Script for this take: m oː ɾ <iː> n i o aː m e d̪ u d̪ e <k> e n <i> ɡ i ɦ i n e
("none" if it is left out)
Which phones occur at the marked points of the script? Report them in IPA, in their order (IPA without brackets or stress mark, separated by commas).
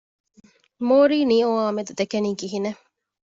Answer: iː, k, iː